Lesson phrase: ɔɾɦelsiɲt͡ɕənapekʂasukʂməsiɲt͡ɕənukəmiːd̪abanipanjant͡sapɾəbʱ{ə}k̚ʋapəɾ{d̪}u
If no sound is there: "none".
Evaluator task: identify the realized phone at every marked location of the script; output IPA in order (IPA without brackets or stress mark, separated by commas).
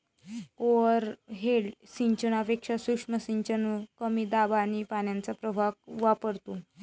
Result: a, t̪